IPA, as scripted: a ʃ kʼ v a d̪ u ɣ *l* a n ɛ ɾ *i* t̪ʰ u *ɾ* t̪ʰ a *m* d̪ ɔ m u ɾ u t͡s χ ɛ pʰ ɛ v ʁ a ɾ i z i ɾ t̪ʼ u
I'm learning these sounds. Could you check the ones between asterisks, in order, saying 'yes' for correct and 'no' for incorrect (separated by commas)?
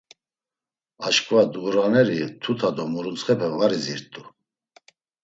no, yes, no, no